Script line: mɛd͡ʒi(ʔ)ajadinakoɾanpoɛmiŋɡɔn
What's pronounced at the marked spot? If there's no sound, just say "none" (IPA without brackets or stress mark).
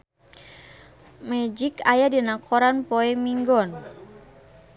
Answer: k